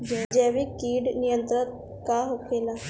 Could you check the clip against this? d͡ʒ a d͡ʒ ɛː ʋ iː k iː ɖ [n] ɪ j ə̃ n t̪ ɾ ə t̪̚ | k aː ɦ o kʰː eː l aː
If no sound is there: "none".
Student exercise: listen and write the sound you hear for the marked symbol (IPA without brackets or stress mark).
n